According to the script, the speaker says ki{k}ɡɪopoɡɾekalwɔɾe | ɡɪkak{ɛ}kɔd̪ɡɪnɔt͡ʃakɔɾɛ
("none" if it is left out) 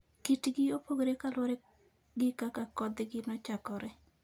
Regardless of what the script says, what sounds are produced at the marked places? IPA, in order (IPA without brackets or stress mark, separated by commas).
t, a